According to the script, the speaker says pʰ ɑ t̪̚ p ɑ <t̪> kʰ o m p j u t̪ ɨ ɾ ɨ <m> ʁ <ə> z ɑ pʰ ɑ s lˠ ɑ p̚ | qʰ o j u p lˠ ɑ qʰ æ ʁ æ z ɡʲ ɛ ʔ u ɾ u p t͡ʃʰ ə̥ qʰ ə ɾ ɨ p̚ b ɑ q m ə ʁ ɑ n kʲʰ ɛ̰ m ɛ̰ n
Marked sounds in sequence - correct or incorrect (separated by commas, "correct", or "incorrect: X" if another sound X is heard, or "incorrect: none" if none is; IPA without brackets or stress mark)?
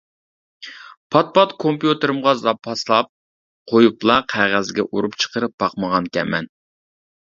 correct, correct, incorrect: ɑ